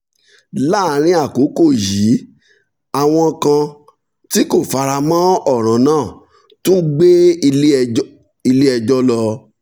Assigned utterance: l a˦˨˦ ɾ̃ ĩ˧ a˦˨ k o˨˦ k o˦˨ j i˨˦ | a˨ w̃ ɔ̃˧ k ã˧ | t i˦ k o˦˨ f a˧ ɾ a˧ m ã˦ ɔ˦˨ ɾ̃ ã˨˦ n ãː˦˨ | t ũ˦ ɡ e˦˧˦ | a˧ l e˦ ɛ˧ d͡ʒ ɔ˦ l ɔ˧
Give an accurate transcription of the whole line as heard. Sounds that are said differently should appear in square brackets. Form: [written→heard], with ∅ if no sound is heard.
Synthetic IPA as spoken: l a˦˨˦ ɾ̃ ĩ˧ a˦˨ k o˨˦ k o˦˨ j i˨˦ | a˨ w̃ ɔ̃˧ k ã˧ | t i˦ k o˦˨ f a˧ ɾ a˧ m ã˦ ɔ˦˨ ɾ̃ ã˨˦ n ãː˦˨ | t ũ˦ [ɡ→ɡ͡b] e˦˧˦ | [a˧→i˧] l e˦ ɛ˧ d͡ʒ ɔ˦ l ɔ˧